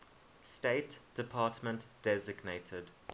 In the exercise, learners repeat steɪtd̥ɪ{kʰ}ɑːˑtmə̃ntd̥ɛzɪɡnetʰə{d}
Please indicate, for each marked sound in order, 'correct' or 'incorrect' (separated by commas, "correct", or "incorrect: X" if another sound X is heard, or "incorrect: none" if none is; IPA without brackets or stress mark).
incorrect: pʰ, correct